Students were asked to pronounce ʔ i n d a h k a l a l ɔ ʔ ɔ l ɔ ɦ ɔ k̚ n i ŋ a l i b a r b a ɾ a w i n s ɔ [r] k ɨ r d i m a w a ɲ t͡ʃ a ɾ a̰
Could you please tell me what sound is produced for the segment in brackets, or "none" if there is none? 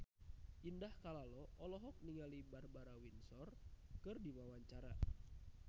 r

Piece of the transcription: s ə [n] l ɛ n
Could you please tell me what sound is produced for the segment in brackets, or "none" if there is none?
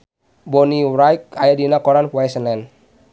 n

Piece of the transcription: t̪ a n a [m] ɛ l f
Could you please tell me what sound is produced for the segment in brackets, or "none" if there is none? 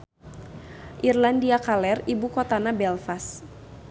b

